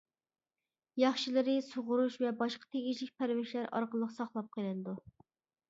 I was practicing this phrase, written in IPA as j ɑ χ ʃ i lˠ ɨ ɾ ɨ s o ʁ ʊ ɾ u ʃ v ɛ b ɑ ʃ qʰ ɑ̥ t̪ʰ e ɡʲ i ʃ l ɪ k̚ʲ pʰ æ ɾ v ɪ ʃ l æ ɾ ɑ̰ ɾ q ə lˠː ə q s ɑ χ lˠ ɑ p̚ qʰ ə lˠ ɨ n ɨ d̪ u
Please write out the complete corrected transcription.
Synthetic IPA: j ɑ χ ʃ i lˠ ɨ ɾ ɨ s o ʁ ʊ ɾ u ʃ v ɛ b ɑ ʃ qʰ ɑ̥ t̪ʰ e ɡʲ i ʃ l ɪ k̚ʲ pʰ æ ɾ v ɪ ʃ l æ ɾ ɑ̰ ɾ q ə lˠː ə q s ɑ χ lˠ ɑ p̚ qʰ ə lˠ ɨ n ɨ d̪ u